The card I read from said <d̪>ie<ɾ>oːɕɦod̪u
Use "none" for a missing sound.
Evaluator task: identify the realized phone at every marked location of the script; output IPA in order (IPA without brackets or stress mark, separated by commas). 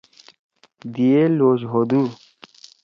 d̪, l